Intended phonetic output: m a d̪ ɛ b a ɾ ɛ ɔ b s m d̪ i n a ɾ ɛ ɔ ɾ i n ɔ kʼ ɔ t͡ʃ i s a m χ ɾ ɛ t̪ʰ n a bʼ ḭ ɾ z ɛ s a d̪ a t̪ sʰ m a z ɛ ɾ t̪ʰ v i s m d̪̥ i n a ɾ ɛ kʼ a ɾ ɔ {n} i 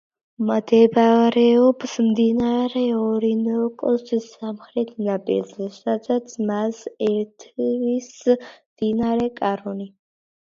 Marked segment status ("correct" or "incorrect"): correct